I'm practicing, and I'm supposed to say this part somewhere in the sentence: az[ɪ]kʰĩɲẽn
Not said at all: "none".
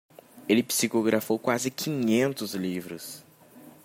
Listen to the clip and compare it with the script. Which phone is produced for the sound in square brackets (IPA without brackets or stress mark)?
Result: ɪ